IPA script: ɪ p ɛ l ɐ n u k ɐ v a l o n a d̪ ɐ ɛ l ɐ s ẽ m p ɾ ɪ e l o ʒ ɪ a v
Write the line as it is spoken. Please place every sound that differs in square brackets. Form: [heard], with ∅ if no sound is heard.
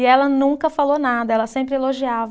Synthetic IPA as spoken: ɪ [∅] ɛ l ɐ n [ũ] k ɐ [f] a l o n a d̪ ɐ ɛ l ɐ s ẽ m p ɾ ɪ e l o ʒ [i] a v